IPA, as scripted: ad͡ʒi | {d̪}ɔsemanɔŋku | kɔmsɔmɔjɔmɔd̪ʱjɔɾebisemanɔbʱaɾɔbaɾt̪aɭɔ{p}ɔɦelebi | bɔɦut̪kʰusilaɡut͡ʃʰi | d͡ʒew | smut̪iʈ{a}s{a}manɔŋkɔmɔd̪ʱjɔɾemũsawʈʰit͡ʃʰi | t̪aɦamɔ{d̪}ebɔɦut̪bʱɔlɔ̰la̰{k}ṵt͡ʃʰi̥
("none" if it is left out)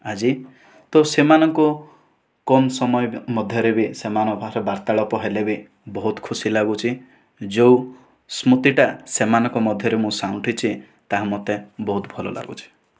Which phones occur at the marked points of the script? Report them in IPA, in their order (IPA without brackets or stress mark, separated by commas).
t̪, p, a, e, t̪, ɡ